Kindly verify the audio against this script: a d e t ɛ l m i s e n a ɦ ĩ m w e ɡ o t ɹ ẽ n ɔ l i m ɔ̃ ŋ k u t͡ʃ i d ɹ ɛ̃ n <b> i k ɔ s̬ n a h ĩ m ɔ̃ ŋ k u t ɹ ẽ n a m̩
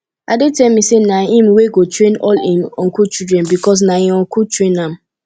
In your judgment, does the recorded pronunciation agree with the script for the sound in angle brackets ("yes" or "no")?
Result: yes